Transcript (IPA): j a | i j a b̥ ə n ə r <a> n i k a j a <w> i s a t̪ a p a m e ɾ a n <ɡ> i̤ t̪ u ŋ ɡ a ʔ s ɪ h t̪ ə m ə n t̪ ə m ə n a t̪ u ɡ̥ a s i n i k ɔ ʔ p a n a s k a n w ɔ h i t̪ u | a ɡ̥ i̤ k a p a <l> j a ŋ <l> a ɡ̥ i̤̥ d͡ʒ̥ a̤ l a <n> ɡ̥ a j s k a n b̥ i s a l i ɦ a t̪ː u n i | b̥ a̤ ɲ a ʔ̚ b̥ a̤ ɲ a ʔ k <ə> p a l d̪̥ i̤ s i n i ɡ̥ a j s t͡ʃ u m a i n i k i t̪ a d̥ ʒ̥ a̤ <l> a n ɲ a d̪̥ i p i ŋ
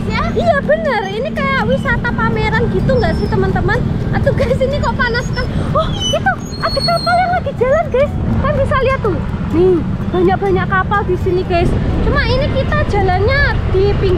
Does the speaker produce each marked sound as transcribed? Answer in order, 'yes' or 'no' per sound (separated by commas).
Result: no, yes, yes, yes, yes, yes, no, yes